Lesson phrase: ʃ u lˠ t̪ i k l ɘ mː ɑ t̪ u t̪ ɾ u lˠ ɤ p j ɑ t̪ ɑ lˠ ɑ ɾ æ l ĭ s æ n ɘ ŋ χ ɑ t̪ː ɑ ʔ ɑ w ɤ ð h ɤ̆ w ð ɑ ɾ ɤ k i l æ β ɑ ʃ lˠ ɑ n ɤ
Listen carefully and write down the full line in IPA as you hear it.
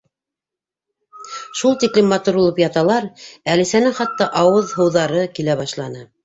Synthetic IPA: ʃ u lˠ t̪ i k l ɘ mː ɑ t̪ u ɾ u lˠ ɤ p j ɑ t̪ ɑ lˠ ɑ ɾ æ l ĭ s æ n ɘ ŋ χ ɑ t̪ː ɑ ʔ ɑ w ɤ ð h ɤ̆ w ð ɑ ɾ ɤ k i l æ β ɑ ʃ lˠ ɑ n ɤ